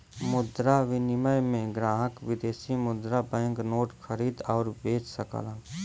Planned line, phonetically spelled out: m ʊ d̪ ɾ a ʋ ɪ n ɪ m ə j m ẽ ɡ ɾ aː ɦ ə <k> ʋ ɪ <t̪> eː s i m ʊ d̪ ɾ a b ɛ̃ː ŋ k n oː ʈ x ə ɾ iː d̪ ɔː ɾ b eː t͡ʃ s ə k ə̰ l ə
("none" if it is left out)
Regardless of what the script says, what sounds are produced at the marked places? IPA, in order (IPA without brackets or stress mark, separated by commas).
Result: k, d̪